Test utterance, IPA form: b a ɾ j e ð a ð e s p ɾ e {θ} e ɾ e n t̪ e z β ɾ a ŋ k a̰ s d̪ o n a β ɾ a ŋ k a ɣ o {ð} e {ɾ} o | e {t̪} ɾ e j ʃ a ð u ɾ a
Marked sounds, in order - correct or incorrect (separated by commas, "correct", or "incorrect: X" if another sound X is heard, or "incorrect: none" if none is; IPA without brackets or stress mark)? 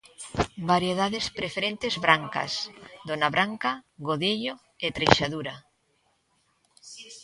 incorrect: f, correct, incorrect: ʎ, correct